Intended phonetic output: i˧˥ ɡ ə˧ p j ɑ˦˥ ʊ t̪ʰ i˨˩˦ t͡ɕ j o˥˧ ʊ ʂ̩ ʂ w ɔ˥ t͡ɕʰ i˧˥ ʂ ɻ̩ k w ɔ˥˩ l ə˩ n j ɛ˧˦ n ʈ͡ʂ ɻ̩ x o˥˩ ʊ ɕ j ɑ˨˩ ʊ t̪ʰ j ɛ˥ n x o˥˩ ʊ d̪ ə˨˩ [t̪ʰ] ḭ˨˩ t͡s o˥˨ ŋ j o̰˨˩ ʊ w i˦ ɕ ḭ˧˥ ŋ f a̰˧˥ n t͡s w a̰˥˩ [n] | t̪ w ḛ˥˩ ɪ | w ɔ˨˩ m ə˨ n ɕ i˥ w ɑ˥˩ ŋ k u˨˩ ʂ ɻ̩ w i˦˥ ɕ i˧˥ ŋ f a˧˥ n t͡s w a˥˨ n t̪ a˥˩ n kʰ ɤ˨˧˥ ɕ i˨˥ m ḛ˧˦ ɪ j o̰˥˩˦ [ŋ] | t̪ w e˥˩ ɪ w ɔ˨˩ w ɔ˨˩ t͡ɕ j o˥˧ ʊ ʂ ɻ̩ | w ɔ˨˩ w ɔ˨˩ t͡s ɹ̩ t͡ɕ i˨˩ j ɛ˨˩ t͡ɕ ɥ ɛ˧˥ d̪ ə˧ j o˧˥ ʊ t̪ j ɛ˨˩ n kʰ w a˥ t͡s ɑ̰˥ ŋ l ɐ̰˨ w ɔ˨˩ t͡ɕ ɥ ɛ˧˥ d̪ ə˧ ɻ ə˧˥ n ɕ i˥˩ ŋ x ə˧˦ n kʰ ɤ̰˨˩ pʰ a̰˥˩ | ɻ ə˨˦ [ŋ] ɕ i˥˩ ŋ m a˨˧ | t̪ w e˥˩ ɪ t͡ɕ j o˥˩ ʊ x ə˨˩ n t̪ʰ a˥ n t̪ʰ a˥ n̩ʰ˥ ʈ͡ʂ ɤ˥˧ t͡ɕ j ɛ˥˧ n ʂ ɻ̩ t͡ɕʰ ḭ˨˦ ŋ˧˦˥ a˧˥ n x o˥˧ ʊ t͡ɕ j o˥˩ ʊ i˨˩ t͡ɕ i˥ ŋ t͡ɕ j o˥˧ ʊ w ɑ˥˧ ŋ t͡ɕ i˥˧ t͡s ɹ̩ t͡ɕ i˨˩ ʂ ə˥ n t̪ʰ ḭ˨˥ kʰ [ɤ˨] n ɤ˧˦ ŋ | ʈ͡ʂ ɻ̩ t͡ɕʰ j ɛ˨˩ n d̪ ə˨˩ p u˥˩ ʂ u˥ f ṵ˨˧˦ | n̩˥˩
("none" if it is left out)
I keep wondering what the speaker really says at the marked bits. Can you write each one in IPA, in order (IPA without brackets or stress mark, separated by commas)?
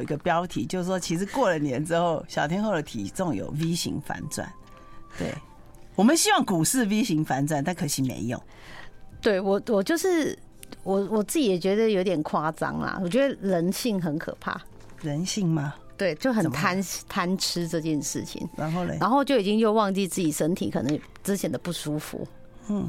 t̪ʰ, n, ŋ, n, ɤ˨